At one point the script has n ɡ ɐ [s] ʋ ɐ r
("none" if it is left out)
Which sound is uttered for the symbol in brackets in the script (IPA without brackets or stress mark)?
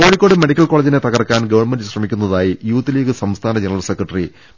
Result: none